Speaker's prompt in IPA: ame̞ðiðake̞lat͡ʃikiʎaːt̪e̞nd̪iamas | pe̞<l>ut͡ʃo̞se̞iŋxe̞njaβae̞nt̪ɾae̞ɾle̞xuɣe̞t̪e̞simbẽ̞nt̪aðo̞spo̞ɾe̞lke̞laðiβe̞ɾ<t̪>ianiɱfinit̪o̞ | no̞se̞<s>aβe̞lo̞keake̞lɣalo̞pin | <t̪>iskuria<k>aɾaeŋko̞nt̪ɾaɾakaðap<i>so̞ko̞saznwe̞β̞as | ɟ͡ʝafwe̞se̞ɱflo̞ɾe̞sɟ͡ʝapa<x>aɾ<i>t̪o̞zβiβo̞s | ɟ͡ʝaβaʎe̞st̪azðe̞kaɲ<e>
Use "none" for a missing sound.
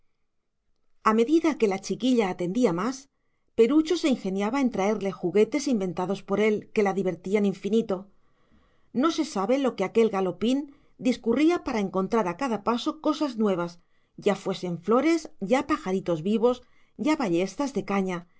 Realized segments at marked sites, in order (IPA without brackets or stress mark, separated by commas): ɾ, t̪, s, d̪, p, a, x, i, a